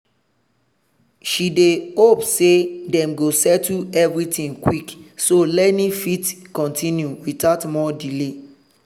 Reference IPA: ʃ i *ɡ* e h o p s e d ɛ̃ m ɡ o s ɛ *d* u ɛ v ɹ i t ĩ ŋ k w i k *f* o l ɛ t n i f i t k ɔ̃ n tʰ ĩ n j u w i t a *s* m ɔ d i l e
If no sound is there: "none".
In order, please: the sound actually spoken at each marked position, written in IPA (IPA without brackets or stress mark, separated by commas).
d, t, s, t